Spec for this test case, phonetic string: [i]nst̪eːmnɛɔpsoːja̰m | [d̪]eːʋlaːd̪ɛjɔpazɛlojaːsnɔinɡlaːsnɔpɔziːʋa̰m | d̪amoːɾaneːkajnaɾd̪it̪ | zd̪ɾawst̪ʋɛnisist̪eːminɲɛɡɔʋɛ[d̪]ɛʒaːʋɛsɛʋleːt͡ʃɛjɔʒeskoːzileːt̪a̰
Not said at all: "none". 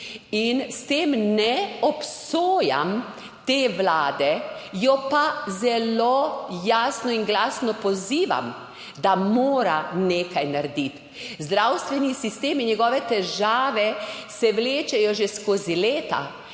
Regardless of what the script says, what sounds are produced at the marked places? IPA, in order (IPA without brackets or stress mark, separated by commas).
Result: i, t̪, t̪